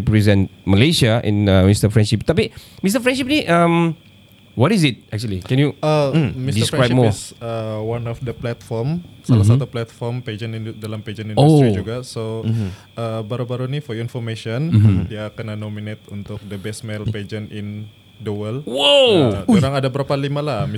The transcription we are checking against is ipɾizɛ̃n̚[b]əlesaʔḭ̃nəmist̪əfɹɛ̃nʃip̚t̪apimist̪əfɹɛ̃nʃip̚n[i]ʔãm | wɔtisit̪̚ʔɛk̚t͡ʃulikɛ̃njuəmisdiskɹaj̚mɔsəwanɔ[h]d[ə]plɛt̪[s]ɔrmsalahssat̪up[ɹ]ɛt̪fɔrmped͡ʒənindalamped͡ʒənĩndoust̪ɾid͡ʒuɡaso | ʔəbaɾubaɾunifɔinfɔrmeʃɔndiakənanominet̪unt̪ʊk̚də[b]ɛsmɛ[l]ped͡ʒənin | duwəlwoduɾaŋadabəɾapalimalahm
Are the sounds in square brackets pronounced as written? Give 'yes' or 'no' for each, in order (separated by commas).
no, yes, no, yes, no, no, yes, yes